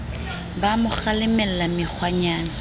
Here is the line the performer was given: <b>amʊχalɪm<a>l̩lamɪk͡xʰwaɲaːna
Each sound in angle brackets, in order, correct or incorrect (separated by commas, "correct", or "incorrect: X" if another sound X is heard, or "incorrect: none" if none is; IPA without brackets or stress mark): correct, incorrect: ɛ